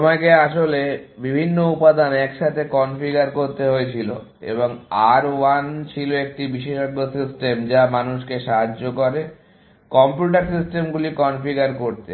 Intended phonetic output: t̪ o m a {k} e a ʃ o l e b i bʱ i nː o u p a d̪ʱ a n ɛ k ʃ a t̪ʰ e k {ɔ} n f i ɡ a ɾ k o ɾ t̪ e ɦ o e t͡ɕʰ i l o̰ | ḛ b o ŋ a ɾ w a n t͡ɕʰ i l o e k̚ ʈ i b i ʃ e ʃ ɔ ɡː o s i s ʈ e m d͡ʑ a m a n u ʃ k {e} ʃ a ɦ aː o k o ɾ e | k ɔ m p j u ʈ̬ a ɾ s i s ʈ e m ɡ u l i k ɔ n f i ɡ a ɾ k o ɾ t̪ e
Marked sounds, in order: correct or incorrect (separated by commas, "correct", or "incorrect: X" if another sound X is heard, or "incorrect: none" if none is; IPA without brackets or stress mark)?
correct, correct, correct